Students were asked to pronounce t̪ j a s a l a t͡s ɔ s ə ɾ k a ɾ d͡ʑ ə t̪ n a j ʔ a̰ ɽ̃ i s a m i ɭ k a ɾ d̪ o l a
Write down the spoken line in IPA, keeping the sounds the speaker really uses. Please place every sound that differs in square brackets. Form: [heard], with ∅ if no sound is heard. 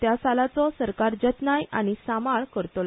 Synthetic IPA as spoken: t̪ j a s a l a t͡s ɔ s ə ɾ k a ɾ d͡ʑ ə t̪ n a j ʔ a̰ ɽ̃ i s a m [a] ɭ k [ə] ɾ [t̪] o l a